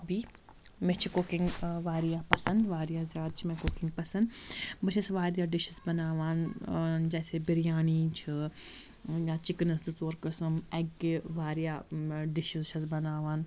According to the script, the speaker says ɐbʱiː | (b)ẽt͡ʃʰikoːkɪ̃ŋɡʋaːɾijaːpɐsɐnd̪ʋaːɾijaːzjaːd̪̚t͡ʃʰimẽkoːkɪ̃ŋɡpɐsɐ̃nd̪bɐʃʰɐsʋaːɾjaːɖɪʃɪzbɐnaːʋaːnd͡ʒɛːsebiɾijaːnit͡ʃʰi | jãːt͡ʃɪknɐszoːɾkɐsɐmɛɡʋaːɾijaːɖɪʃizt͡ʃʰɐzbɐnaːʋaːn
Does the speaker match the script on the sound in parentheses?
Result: no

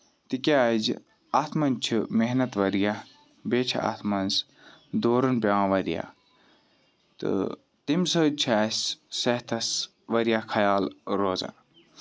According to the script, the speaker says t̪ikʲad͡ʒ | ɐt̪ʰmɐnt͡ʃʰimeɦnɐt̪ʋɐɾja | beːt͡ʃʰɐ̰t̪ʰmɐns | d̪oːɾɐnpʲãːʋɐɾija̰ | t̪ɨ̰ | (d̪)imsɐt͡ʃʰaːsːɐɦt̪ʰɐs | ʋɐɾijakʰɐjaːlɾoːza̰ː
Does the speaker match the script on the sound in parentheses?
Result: no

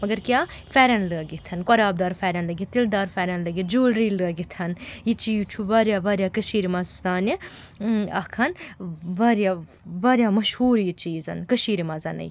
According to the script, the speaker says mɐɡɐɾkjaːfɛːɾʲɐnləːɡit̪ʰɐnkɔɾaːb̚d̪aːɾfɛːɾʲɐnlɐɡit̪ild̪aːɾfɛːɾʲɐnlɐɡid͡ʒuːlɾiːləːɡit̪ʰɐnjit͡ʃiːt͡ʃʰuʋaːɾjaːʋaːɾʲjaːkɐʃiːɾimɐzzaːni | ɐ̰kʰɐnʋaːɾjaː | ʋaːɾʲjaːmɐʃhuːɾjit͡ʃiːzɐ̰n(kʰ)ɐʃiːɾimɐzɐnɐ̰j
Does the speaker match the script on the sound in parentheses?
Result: no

